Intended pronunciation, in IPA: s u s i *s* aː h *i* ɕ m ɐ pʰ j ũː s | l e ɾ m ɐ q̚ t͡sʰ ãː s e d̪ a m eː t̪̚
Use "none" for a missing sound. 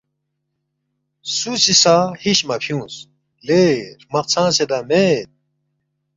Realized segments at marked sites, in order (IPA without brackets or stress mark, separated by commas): s, i